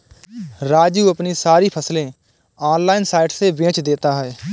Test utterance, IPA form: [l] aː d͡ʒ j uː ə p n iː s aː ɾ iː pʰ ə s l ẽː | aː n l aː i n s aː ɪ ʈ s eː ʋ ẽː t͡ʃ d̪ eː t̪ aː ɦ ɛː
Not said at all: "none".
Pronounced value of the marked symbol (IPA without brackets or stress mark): ɾ